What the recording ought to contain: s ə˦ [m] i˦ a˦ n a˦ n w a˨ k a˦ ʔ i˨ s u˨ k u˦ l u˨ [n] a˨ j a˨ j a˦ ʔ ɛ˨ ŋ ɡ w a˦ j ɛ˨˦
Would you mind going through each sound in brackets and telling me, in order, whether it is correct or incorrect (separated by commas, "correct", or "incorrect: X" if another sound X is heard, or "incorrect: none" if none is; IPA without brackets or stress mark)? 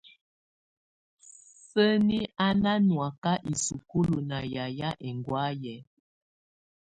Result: incorrect: n, correct